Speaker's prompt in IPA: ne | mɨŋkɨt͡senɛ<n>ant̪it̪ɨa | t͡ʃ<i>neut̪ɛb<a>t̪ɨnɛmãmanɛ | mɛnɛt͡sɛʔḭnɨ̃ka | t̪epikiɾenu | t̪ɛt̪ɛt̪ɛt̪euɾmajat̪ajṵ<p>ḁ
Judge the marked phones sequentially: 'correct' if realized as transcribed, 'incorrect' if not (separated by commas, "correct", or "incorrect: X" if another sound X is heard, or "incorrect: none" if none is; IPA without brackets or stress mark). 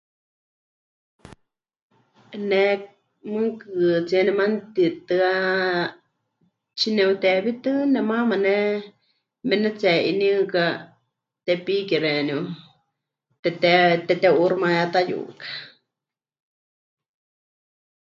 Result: incorrect: m, correct, incorrect: i, incorrect: k